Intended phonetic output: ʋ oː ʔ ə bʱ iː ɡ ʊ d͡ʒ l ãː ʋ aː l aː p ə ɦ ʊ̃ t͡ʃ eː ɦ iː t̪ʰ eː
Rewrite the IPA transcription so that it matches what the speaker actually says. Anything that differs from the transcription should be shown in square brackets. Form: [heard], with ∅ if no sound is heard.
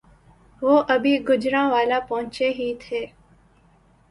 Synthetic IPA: ʋ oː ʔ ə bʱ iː ɡ ʊ d͡ʒ [ɾ] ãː ʋ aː l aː p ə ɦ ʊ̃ t͡ʃ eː ɦ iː t̪ʰ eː